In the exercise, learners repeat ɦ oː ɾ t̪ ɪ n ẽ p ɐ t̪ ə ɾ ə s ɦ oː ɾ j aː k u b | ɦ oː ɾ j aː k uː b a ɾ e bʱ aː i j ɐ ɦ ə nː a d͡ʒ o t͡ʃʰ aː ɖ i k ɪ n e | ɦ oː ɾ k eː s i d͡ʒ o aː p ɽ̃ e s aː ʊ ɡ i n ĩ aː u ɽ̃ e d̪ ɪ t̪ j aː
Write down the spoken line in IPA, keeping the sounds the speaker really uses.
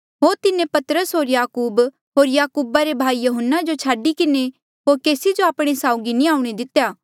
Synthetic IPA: ɦ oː ɾ t̪ ɪ n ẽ p ɐ t̪ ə ɾ ə s ɦ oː ɾ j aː k uː b | ɦ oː ɾ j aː k uː b a ɾ e bʱ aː i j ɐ ɦ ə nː a d͡ʒ o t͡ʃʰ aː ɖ i k ɪ n e | ɦ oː ɾ k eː s i d͡ʒ o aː p ɽ̃ e s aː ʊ ɡ i n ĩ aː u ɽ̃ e d̪ ɪ t̪ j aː